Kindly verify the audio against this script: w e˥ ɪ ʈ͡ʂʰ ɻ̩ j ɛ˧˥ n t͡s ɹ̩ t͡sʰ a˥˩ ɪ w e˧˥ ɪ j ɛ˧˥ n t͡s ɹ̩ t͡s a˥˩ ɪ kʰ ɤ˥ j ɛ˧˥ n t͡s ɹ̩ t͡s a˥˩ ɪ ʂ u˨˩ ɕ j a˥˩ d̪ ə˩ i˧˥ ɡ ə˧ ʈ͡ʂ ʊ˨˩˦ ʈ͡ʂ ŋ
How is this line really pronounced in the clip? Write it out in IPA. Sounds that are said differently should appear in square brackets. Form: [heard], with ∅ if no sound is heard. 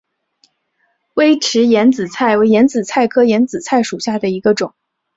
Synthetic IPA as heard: w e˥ ɪ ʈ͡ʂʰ ɻ̩ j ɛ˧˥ n t͡s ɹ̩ t͡sʰ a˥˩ ɪ w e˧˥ ɪ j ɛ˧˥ n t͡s ɹ̩ [t͡sʰ] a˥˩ ɪ kʰ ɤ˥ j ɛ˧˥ n t͡s ɹ̩ [t͡sʰ] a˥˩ ɪ ʂ u˨˩ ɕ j a˥˩ d̪ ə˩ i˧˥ ɡ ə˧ ʈ͡ʂ ʊ˨˩˦ [∅] ŋ